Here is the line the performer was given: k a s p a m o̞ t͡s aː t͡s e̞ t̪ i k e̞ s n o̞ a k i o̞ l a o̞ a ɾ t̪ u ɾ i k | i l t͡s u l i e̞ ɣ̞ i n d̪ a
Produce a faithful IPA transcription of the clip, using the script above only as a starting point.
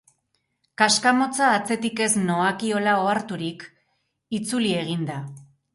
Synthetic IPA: k a s k a m o̞ t͡s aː t͡s e̞ t̪ i k e̞ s n o̞ a k i o̞ l a o̞ a ɾ t̪ u ɾ i k | i t͡s u l i e̞ ɣ̞ i n d̪ a